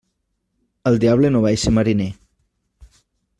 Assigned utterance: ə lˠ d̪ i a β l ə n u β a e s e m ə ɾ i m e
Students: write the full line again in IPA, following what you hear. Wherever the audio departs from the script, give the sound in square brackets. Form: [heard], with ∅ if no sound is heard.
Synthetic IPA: ə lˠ d̪ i a β l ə n [o] β a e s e m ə ɾ i [n] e